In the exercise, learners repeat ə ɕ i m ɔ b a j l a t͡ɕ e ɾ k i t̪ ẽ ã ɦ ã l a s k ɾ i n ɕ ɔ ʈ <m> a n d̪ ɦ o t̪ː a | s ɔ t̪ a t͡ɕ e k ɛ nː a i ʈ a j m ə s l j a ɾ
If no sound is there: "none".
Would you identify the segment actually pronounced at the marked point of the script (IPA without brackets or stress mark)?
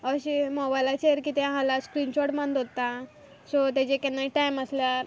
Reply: m